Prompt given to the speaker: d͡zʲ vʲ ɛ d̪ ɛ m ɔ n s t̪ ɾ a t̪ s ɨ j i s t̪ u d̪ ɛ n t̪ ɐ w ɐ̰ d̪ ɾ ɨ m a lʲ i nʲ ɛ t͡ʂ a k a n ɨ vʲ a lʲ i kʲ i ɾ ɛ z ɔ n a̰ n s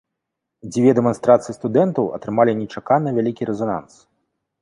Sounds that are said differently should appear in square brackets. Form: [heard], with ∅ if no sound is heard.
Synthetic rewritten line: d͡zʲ vʲ ɛ d̪ ɛ m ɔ n s t̪ ɾ a t̪ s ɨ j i s t̪ u d̪ ɛ n t̪ ɐ w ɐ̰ [t̪] ɾ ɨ m a lʲ i nʲ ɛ t͡ʂ a k a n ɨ vʲ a lʲ i kʲ i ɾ ɛ z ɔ n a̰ n s